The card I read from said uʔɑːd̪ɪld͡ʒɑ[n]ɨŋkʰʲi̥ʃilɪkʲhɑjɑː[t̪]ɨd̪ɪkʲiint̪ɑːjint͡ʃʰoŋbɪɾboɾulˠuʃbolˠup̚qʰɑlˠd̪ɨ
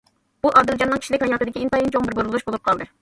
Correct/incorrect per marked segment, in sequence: incorrect: nː, correct

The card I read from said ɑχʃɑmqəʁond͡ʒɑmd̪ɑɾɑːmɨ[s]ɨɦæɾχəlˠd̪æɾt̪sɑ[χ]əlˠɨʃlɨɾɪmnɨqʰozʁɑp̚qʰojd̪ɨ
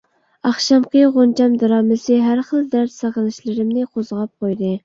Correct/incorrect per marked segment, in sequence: correct, incorrect: ʁ

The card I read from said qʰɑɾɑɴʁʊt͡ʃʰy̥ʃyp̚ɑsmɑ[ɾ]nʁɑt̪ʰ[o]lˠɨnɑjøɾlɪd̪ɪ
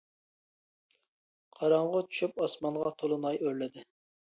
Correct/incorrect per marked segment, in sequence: incorrect: none, correct

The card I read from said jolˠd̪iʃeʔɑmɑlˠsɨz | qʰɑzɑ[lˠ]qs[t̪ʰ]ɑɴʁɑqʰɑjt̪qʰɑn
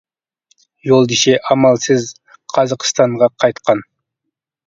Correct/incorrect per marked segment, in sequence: incorrect: none, incorrect: t̪

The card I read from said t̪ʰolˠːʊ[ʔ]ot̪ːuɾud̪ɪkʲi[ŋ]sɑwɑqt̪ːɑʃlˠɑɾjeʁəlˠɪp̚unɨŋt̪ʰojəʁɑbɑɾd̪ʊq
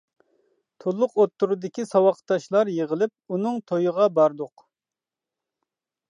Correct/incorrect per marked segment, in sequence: incorrect: q, incorrect: none

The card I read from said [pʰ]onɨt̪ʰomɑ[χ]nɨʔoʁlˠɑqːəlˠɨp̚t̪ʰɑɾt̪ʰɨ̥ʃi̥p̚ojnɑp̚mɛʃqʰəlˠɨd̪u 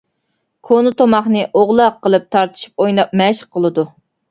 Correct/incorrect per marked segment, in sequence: incorrect: kʰ, correct

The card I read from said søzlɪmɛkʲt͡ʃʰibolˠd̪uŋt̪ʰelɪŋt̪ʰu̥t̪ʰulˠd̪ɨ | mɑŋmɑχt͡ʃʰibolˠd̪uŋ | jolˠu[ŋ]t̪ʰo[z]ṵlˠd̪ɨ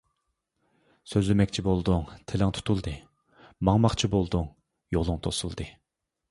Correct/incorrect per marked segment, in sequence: correct, incorrect: s

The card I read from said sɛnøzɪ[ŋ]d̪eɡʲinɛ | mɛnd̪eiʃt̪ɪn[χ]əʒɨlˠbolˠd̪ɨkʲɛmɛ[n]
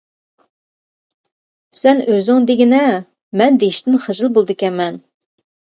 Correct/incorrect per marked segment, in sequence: correct, correct, correct

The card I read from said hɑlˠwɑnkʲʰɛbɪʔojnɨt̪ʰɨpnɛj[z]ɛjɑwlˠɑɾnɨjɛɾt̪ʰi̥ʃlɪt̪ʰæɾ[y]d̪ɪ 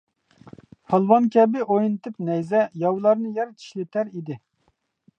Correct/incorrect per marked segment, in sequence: correct, incorrect: i

